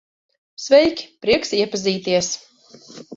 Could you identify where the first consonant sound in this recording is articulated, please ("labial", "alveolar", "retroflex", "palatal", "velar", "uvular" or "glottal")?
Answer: alveolar